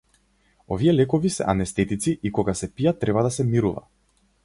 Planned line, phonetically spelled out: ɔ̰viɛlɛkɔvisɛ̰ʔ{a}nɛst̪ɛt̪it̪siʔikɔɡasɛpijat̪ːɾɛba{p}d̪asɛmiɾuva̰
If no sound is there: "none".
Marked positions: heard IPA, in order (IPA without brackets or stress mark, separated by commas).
a, none